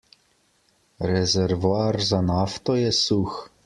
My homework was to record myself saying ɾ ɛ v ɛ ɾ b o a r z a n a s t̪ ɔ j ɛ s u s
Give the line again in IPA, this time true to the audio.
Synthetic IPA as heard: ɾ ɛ z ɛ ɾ v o a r z a n a f t̪ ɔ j ɛ s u x